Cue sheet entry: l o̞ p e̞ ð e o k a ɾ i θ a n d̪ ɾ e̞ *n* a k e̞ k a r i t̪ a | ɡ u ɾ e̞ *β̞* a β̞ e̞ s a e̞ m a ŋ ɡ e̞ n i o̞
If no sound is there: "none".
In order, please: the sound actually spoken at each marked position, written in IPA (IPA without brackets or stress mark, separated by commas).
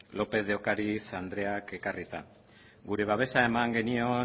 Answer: none, β̞